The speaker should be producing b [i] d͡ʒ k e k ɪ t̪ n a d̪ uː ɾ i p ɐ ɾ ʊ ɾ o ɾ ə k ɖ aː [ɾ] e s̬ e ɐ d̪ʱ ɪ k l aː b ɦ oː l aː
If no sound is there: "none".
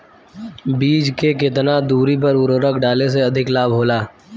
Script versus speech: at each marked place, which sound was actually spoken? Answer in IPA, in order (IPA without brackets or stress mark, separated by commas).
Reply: iː, l